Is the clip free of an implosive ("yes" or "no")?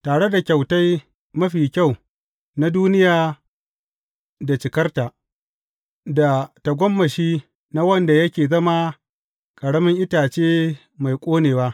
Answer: yes